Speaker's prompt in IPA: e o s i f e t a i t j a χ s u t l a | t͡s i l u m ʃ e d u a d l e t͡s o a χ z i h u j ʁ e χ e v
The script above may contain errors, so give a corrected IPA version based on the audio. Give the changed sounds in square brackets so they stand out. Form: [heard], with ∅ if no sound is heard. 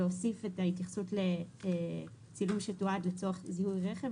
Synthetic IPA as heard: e o s i f e t a i t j a χ s u t l [e] | t͡s i l u m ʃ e [t] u a d l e t͡s o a χ z i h u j ʁ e χ e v